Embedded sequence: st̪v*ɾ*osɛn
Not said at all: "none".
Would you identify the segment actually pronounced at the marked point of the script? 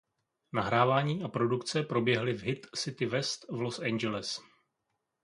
l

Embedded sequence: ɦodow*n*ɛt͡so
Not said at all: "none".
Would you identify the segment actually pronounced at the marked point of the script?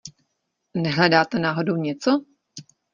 ɲ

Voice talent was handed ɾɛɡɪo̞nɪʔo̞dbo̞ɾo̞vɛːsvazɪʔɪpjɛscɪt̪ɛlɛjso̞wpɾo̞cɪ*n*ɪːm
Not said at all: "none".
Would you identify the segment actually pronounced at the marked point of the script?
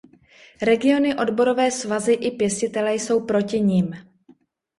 ɲ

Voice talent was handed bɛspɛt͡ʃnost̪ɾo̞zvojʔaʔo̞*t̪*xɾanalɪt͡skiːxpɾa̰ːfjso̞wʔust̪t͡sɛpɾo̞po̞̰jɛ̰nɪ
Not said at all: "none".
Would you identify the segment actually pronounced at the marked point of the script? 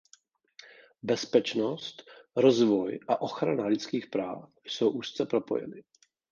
none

